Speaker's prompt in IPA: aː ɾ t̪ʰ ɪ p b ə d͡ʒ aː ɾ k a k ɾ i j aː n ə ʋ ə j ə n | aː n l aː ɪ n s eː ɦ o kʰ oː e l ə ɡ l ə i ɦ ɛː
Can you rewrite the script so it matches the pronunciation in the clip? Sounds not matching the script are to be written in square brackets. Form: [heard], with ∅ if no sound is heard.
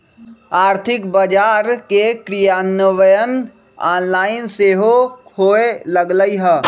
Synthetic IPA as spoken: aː ɾ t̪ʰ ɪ [k] b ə d͡ʒ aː ɾ k [e] k ɾ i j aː n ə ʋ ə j ə n | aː n l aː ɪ n s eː ɦ o kʰ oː e l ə ɡ l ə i ɦ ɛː